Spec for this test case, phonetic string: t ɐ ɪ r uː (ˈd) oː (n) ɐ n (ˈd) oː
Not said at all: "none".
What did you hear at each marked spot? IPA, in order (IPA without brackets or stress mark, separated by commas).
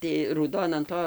d, n, t